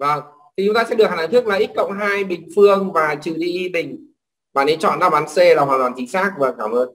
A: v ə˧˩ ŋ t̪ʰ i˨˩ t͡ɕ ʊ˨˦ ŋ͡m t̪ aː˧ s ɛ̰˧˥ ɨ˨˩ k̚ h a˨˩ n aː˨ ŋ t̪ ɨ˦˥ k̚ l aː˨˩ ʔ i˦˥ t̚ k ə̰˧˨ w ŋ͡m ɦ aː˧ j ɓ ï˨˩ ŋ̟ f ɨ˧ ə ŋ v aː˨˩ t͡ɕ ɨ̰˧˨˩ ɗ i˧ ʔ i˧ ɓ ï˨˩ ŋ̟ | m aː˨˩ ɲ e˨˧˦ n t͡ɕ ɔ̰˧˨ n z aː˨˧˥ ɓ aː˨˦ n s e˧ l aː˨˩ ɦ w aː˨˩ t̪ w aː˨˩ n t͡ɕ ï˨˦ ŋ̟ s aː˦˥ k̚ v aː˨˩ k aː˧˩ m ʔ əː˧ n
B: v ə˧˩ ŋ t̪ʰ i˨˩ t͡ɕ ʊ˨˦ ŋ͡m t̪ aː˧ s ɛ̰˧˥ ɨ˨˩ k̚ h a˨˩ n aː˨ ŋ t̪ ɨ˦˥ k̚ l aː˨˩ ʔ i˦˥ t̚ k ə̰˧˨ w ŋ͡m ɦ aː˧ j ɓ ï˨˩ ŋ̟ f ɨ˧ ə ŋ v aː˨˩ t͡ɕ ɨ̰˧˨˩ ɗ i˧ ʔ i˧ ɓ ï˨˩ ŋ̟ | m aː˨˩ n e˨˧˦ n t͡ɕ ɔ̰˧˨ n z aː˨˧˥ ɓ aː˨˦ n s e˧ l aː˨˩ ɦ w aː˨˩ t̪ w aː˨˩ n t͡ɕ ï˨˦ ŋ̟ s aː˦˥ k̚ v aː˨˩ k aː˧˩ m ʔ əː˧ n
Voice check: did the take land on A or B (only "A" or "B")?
B